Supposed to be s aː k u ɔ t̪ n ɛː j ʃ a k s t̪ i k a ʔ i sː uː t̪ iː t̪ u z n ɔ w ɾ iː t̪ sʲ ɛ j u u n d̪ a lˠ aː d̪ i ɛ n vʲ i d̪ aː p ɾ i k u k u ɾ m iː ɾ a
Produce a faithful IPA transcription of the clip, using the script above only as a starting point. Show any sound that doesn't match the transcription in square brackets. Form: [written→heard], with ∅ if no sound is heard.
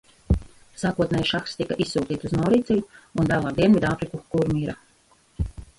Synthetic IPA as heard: s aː k u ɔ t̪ n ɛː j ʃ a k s t̪ i k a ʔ i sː uː t̪ iː t̪ u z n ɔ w ɾ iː t̪ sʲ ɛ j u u n d̪ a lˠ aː d̪ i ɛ n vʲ i d̪ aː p ɾ i k u k u ɾ m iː ɾ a

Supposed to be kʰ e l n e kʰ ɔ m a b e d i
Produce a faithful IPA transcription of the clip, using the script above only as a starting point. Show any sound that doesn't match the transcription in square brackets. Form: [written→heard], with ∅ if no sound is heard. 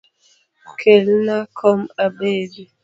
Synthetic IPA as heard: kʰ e l n [e→a] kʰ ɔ m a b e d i

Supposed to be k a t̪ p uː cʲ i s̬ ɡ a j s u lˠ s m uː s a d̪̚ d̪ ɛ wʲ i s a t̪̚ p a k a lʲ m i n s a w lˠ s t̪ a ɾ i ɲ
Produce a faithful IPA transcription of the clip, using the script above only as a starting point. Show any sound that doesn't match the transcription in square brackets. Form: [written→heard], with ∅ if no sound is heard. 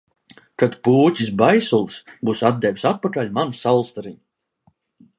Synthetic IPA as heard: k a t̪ p uː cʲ i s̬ [ɡ→b] a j s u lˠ s [m→b] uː s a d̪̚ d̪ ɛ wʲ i s a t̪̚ p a k a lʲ m [i→a] n s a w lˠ s t̪ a ɾ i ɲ

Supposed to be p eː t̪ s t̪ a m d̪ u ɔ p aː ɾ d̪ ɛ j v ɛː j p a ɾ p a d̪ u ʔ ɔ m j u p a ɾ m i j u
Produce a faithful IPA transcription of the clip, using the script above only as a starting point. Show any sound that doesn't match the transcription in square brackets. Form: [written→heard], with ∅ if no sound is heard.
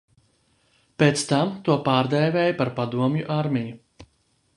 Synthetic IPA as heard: p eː t̪ s t̪ a m [d̪→t̪] u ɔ p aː ɾ d̪ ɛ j v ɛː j p a ɾ p a d̪ u [ʔ→∅] ɔ m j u [p→ʔ] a ɾ m i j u

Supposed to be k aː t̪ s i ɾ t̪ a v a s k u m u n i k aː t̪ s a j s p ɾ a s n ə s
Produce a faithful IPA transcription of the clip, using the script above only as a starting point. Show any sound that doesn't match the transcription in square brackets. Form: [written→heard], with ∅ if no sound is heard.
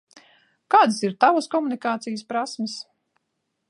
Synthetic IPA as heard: k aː [t̪→d̪] s i ɾ t̪ a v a s k [u→ɔ] m u n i k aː t̪ s [a→i] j s p ɾ a s [n→m] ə s

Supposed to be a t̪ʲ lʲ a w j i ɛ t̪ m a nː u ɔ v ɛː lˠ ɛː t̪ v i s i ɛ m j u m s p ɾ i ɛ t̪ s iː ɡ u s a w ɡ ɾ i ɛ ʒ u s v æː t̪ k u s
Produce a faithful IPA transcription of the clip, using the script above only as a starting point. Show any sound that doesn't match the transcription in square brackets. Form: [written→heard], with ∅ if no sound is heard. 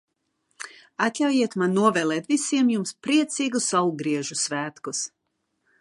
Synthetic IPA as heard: a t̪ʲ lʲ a w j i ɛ t̪ m a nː u ɔ v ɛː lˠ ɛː t̪ v i s i ɛ m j u m s p ɾ i ɛ t̪ s iː ɡ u s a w ɡ ɾ i ɛ ʒ u s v æː t̪ k u s

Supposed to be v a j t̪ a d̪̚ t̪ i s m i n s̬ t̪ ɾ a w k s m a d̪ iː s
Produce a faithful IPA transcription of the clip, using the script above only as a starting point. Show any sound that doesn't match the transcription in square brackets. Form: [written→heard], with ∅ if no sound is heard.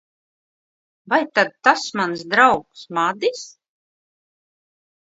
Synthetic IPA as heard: v a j t̪ a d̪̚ t̪ [i→a] s m [i→a] n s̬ [t̪→d̪] ɾ a w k s m a d̪ [iː→i] s

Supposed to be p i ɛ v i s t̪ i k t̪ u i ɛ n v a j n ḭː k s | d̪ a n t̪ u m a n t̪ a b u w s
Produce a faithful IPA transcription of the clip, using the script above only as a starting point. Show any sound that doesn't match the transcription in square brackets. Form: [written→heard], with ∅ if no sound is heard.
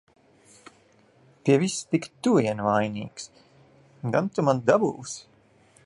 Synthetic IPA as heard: p i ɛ v i s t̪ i k t̪ u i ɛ n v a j n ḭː k s | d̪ a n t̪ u m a n [t̪→d̪] a b u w s

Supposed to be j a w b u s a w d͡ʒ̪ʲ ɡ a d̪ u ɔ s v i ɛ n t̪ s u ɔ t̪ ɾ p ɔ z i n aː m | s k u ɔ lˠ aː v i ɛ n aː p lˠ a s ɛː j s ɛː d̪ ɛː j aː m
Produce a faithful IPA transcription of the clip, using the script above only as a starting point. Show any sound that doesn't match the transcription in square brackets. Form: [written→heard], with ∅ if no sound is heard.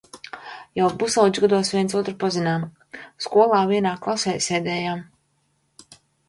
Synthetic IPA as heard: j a w b u s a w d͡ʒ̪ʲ ɡ a d̪ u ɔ s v i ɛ n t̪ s u ɔ t̪ ɾ p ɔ z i n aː m | s k u ɔ lˠ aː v i ɛ n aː [p→k] lˠ a s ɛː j s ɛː d̪ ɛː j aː m

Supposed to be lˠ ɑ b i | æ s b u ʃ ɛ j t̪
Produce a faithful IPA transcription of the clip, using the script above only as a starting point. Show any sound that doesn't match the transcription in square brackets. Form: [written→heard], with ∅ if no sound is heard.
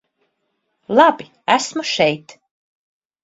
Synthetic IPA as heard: lˠ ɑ b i | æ s [b→m] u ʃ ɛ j t̪

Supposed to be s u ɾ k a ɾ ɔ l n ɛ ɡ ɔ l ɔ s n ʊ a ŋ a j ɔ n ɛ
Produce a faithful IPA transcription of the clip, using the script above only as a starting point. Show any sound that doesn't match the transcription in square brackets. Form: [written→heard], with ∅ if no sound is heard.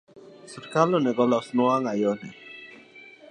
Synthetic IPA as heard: s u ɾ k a [ɾ→l] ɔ [l→∅] n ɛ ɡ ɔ l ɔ s n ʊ a ŋ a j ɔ n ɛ

